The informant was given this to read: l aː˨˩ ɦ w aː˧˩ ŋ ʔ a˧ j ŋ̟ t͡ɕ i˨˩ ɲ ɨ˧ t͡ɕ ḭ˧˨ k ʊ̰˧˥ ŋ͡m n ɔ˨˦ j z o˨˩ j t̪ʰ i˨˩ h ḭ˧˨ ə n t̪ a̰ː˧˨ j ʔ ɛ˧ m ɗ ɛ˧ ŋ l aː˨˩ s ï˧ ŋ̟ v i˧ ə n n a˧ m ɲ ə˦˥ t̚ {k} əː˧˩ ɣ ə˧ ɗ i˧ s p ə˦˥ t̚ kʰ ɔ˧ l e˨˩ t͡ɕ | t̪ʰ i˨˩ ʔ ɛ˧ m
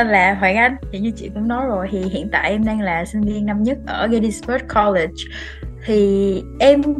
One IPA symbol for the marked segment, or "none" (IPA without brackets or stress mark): ʔ